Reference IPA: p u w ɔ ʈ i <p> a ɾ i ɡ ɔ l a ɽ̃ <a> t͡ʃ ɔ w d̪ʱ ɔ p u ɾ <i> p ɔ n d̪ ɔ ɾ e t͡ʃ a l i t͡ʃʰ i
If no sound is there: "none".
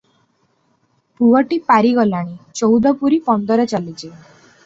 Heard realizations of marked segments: p, i, i

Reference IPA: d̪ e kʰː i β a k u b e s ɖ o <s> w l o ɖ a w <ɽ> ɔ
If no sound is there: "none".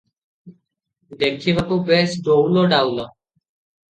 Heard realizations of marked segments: none, l

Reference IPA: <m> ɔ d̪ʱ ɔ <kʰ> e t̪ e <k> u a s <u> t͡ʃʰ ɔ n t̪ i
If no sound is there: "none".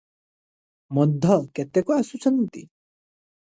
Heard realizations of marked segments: m, k, k, u

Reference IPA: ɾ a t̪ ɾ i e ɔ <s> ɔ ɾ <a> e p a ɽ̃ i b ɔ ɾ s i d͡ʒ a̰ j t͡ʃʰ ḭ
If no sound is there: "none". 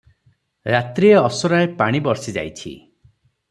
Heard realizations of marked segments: s, a

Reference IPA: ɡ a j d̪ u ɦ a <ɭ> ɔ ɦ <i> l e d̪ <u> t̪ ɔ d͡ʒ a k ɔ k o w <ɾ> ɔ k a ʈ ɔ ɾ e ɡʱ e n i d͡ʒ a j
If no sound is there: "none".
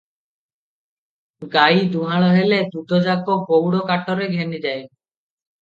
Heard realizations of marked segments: ɭ, e, u, ɽ

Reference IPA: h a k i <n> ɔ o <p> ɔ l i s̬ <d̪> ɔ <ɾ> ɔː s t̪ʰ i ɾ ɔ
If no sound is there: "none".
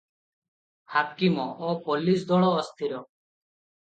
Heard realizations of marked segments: m, p, d̪, ɭ

